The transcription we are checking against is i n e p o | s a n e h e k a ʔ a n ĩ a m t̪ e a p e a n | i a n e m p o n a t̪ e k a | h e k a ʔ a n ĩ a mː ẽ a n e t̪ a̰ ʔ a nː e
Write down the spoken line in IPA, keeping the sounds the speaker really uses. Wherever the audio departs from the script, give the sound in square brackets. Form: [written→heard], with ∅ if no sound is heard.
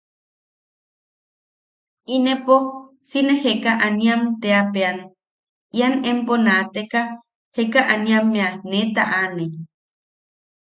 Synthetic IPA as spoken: i n e p o | s [a→i] n e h e k a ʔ a n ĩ a m t̪ e a p e a n | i a n e m p o n a t̪ e k a | h e k a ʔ a n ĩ a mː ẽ a n e t̪ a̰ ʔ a [nː→n] e